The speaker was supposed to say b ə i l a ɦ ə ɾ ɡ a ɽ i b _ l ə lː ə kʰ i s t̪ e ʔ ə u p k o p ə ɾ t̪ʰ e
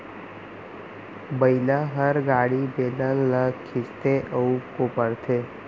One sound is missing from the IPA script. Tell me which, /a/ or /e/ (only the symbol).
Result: e